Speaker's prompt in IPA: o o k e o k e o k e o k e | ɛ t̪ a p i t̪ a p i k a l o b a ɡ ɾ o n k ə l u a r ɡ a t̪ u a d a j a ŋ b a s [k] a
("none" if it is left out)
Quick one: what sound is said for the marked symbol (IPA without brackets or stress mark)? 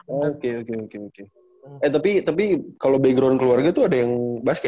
k